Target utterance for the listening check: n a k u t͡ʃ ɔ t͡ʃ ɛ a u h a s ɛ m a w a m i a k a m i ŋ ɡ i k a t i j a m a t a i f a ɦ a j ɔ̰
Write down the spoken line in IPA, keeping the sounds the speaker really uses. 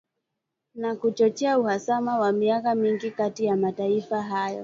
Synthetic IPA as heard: n a k u t͡ʃ ɔ t͡ʃ ɛ a u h a s a m a w a m i a k a m i ŋ ɡ i k a t i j a m a t a i f a ɦ a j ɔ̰